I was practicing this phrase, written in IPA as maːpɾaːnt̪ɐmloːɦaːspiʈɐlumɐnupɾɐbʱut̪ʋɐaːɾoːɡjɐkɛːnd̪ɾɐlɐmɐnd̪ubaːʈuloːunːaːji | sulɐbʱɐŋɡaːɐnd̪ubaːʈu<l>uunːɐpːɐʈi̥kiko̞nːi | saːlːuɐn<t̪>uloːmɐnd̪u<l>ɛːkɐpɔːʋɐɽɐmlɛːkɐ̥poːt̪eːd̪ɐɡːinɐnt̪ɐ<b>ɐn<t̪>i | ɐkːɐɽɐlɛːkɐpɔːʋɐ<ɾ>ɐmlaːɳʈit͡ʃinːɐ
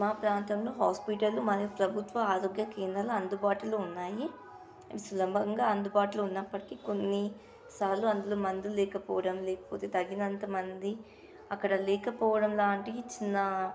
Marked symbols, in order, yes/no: yes, no, yes, no, no, no

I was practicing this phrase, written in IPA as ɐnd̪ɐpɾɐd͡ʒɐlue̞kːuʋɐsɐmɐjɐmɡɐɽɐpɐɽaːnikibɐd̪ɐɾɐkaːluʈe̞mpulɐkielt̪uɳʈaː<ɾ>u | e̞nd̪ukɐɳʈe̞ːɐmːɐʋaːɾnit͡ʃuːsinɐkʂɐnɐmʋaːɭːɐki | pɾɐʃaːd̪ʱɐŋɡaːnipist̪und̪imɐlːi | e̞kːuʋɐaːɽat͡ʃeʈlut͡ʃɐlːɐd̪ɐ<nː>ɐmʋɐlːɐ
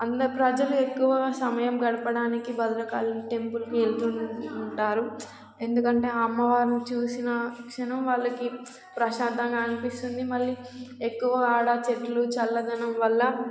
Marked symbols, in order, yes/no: yes, no

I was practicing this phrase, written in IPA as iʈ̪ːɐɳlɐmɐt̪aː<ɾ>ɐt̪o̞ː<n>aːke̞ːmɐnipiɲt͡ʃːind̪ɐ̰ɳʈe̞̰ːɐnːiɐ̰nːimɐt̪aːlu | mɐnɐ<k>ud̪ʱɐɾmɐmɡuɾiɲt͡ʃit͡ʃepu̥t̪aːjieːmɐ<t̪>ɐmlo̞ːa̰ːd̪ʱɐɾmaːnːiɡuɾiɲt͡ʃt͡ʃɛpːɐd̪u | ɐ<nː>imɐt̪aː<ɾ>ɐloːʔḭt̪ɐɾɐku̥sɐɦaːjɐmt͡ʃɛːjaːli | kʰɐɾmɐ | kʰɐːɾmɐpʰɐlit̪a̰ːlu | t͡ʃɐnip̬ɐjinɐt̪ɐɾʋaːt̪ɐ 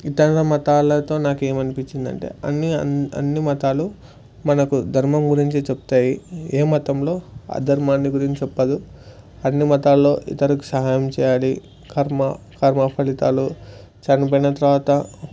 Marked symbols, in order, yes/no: no, yes, yes, yes, yes, no

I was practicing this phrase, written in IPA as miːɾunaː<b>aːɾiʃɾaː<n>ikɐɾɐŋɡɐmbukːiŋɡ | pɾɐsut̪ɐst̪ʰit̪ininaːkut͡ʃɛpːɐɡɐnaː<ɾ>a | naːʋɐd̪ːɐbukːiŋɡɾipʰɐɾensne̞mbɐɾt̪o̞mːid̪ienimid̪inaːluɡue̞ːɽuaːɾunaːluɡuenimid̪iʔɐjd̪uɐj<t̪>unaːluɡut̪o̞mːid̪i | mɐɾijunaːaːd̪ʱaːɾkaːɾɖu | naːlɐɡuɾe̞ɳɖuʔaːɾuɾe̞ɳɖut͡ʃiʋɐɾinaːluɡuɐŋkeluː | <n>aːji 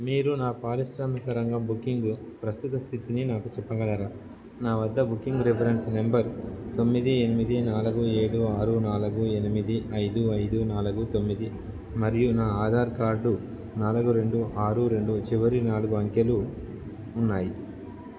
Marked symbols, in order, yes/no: no, no, yes, no, no

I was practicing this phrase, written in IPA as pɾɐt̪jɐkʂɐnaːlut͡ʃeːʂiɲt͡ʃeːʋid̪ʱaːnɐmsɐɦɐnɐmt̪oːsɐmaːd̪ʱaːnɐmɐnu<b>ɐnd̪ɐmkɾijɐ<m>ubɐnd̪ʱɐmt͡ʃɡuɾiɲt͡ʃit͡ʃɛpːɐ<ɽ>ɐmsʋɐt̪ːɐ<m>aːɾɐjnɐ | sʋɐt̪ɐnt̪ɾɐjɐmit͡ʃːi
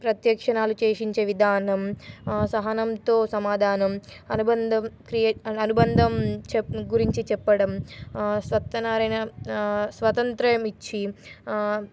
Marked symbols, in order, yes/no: yes, no, yes, no

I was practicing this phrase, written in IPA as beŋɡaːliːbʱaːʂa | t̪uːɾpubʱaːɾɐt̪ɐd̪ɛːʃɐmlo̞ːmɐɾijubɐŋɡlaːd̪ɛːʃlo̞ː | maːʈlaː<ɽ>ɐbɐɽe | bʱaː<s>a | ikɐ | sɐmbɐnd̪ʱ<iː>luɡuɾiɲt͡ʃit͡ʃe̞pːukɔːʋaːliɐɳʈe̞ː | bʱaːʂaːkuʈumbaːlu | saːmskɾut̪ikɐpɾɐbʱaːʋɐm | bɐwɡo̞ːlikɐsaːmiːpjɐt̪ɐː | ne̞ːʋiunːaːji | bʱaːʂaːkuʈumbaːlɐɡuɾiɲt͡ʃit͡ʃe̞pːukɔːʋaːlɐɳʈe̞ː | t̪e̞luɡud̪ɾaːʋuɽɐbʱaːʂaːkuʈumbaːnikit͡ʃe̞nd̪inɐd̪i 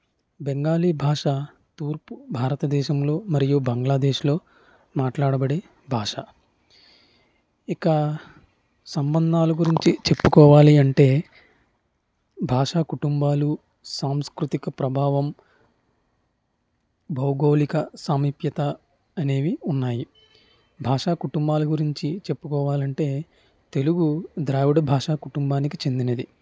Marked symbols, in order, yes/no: yes, no, no

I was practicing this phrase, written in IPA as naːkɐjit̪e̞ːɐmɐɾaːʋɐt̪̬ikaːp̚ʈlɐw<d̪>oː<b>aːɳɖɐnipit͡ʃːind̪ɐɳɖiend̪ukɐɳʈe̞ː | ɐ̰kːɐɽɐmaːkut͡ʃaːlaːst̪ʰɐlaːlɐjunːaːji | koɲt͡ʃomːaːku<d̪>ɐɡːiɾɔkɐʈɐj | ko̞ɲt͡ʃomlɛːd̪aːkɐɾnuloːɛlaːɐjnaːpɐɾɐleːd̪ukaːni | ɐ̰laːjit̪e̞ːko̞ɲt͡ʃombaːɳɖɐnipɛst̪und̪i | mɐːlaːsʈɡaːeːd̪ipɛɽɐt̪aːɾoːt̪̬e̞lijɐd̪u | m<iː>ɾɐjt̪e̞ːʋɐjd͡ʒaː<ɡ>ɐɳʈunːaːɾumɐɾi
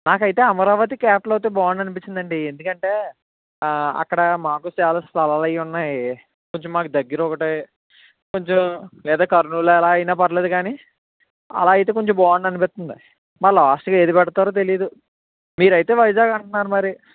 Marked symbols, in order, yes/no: no, yes, yes, yes, yes

